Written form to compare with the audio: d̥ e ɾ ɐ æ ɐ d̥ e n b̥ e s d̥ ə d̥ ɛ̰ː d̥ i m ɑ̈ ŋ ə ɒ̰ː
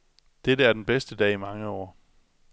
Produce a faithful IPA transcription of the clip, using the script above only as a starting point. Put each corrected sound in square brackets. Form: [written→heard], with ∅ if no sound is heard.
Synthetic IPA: d̥ e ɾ [ɐ→ə] æ ɐ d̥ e n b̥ e s d̥ ə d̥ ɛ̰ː [d̥→∅] i m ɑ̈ ŋ ə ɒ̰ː